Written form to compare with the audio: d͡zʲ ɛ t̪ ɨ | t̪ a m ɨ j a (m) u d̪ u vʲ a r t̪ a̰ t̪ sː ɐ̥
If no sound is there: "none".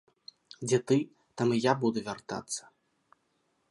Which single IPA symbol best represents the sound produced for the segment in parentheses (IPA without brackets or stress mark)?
b